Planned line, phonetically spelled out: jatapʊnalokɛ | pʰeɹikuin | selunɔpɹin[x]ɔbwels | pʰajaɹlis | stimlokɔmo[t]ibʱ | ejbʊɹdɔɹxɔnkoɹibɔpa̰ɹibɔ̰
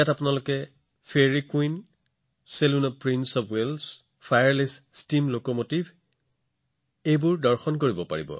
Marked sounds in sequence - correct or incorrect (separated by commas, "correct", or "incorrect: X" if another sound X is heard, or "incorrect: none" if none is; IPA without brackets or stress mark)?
incorrect: s, correct